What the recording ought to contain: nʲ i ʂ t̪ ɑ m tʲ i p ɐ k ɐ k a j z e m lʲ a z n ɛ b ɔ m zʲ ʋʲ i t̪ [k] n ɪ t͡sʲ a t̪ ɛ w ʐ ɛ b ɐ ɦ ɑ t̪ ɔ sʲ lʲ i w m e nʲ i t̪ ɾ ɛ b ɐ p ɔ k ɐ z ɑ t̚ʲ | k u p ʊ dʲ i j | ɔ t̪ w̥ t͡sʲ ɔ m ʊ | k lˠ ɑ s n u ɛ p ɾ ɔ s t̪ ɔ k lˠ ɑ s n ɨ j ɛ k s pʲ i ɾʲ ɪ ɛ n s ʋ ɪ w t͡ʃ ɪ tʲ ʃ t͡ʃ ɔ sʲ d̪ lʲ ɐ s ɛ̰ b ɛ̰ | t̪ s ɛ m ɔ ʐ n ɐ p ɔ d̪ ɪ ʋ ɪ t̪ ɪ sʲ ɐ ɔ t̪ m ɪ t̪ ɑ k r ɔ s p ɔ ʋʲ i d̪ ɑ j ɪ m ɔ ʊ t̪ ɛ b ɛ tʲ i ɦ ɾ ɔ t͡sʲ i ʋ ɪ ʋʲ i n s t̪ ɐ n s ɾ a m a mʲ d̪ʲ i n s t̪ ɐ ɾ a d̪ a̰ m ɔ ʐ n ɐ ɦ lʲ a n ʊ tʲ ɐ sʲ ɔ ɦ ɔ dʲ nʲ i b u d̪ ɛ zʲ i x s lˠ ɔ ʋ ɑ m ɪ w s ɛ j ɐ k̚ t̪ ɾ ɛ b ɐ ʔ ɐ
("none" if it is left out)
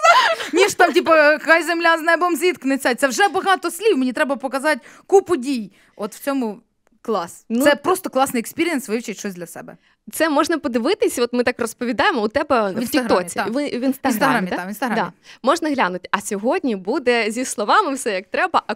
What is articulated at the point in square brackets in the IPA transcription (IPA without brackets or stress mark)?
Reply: k